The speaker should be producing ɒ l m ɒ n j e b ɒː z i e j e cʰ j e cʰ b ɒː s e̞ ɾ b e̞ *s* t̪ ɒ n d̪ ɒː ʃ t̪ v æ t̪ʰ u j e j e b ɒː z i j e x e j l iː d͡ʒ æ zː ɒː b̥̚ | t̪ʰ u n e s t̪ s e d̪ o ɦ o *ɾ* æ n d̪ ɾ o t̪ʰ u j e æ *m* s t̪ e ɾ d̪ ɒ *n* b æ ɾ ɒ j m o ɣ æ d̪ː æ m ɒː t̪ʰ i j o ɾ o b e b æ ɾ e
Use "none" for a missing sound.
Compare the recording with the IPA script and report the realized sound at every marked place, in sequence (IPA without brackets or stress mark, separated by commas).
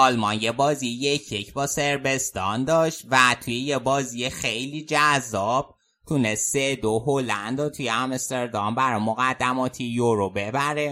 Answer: s, l, m, m